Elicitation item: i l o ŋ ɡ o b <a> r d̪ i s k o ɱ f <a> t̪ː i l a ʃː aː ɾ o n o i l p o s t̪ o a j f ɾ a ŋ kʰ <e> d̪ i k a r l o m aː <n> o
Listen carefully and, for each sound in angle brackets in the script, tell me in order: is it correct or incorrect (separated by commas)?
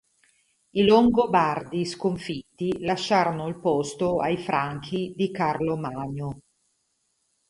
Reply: correct, incorrect, incorrect, incorrect